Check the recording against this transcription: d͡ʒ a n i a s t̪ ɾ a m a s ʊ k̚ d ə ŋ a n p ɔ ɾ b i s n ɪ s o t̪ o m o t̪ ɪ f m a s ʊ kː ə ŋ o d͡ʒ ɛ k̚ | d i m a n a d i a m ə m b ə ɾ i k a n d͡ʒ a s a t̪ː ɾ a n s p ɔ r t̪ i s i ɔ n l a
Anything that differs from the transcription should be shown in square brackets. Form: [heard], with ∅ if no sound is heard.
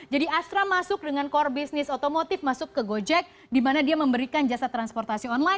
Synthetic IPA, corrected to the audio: d͡ʒ a [d] i a s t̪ ɾ a m a s ʊ k̚ d ə ŋ a n [k] ɔ [r] b i s n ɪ s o t̪ o m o t̪ ɪ f m a s ʊ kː ə [ɡ] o d͡ʒ ɛ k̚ | d i m a n a d i a m ə m b ə ɾ i k a n d͡ʒ a s a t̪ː ɾ a n s p ɔ r t̪ [a] s i ɔ n l a